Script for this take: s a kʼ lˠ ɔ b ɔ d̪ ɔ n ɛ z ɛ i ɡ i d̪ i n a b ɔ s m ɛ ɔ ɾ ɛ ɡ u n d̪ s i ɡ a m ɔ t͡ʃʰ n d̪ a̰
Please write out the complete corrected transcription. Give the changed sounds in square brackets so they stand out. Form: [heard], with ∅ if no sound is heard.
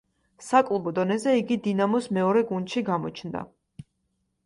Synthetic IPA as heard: s a kʼ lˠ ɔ b ɔ d̪ ɔ n ɛ z ɛ i ɡ i d̪ i n a [m] ɔ s m ɛ ɔ ɾ ɛ ɡ u n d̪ [ʃ] i ɡ a m ɔ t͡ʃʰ n d̪ a̰